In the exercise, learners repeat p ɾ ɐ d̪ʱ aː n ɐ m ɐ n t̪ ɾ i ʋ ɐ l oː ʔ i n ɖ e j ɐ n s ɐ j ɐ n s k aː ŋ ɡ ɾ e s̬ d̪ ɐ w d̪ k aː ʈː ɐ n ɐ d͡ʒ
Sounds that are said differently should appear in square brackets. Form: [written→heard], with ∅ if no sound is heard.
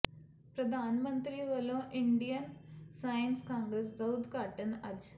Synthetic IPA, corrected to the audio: p ɾ ɐ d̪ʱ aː n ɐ m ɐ n t̪ ɾ i ʋ ɐ l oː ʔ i [n→ɳ] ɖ [e→i] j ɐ n s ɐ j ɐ n s k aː ŋ ɡ ɾ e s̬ d̪ ɐ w d̪ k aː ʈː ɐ n ɐ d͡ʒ